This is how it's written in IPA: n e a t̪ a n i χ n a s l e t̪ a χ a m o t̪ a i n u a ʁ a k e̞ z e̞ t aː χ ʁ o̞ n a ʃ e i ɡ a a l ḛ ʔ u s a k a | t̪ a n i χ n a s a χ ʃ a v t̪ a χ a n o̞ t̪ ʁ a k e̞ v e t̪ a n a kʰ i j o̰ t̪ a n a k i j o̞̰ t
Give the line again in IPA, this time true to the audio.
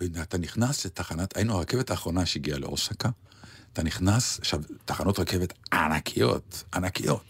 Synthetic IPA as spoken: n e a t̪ a n i χ n a s l e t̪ a χ a n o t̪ a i n u a ʁ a k e̞ v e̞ t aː χ ʁ o̞ n a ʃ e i ɡ i a l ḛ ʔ o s a k a | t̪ a n i χ n a s a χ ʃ a v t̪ a χ a n o̞ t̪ ʁ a k e̞ v e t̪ a n a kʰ i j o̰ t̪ a n a k i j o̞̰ t